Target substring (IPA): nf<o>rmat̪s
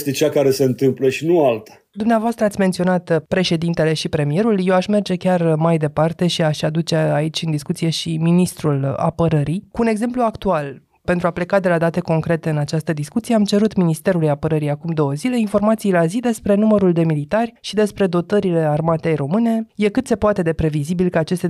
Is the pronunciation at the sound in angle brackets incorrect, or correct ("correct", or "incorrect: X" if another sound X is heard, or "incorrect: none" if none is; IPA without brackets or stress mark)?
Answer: correct